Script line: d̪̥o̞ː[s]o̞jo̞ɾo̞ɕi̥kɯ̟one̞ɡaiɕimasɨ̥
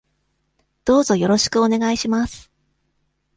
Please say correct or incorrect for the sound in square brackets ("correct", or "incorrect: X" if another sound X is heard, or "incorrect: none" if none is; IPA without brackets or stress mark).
incorrect: z